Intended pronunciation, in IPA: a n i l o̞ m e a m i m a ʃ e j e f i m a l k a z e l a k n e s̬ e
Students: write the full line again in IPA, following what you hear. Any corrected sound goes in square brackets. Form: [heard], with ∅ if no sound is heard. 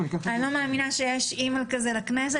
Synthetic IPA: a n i l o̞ m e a m i [n] a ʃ e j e [ʃ] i m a l k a z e l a k n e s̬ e